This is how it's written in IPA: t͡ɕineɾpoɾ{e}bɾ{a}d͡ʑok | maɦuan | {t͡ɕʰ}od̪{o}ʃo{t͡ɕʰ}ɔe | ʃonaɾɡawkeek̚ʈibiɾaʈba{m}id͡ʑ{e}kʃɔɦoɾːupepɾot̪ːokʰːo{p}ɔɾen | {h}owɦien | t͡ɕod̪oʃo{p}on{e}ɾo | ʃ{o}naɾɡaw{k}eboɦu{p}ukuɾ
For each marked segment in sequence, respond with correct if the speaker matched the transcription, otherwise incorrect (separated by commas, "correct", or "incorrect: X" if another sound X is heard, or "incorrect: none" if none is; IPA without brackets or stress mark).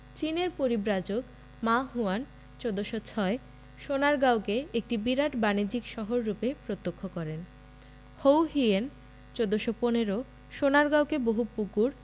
incorrect: i, correct, incorrect: t͡ɕ, correct, correct, incorrect: n, incorrect: i, incorrect: k, correct, correct, correct, correct, correct, correct